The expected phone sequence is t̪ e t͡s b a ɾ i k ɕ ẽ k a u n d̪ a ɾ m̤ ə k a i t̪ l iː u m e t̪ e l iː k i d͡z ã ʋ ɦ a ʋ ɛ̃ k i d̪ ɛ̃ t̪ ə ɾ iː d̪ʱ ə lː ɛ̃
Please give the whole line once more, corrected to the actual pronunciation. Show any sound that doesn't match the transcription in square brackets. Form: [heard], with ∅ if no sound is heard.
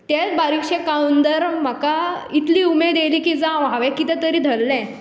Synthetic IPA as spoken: t̪ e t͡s b a ɾ i k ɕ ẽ k a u n d̪ [ə] ɾ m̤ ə k a i t̪ l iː u m e [d̪] e l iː k i d͡z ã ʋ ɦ a ʋ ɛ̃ k i [t̪] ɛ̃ t̪ ə ɾ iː d̪ʱ ə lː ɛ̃